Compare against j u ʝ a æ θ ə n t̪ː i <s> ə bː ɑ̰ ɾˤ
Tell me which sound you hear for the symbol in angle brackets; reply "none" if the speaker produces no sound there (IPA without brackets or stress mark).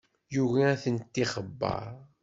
χ